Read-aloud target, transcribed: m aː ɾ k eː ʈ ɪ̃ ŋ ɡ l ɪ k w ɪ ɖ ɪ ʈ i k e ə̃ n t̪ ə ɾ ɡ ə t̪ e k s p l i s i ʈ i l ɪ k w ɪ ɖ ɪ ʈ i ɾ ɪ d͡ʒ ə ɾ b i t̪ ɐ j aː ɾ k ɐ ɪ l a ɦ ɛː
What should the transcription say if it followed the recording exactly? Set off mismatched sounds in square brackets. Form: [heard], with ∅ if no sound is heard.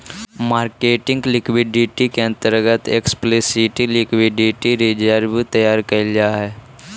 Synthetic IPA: m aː ɾ k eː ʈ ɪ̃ ŋ ɡ l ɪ k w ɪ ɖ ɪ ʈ i k e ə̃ n t̪ ə ɾ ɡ ə t̪ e k s p l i s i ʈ i l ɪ k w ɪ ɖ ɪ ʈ i ɾ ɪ d͡ʒ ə ɾ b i t̪ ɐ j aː ɾ k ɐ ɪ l a ɦ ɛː